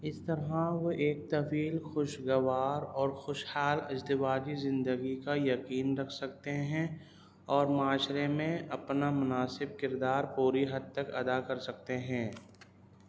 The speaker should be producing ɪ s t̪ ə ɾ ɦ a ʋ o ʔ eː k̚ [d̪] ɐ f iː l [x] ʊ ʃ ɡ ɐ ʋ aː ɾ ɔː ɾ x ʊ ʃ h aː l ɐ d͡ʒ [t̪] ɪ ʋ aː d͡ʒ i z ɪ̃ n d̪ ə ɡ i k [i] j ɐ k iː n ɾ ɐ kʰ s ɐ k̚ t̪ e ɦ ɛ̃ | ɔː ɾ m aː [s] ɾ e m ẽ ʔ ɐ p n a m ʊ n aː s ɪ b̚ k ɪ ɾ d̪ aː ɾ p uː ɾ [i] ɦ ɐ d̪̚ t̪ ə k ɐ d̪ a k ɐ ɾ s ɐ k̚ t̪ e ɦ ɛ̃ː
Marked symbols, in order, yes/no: no, yes, no, no, no, yes

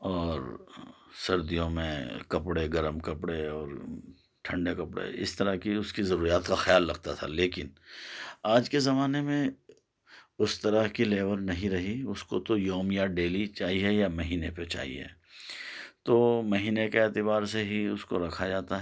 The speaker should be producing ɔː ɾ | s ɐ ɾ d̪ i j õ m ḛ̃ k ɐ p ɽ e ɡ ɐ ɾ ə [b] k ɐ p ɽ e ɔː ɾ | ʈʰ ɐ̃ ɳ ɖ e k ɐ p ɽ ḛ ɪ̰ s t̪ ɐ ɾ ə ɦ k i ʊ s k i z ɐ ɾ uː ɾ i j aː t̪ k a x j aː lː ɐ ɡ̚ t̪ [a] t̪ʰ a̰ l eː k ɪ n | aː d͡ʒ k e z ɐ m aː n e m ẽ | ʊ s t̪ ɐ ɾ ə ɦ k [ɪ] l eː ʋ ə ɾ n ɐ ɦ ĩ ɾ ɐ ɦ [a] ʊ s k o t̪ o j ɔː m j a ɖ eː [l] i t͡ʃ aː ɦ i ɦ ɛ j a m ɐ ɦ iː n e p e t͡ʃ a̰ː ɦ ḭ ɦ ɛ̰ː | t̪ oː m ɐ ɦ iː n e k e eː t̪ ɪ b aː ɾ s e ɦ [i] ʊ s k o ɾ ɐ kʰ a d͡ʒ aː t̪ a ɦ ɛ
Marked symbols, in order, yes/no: no, yes, no, no, yes, yes

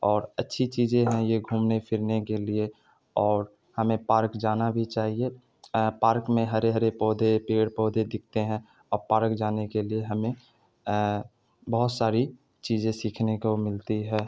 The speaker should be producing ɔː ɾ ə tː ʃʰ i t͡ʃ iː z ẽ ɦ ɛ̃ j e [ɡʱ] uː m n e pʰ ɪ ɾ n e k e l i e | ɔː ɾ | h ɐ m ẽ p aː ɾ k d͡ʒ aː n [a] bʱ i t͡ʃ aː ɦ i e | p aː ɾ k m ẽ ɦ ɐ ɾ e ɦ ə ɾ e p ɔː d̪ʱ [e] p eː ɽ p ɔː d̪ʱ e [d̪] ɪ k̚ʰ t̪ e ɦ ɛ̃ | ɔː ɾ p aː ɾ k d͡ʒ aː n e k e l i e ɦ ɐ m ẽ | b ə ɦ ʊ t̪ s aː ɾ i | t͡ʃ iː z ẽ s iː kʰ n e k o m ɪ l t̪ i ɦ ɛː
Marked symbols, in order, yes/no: yes, yes, yes, yes

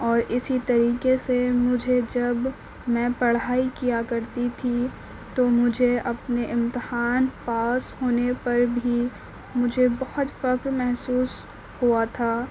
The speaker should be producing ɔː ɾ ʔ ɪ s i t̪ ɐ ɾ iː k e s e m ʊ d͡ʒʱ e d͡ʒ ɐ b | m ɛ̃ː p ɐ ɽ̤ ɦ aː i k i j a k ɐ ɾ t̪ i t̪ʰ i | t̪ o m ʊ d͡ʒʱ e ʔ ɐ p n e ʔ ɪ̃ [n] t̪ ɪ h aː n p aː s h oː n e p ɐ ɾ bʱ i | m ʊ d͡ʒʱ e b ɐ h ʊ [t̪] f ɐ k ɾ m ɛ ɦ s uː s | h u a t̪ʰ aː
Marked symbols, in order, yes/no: no, yes

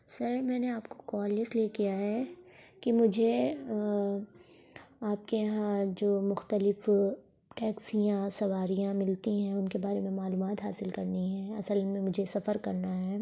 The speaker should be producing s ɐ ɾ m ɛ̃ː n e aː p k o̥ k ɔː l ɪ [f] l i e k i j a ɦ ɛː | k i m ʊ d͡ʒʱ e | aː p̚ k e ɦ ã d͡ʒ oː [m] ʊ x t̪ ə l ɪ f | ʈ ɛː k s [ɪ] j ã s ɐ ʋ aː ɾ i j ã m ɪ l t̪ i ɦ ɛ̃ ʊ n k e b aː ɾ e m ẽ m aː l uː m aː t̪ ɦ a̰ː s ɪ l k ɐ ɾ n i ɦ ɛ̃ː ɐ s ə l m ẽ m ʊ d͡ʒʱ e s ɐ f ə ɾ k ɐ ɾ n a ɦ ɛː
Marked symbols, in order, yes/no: no, yes, no

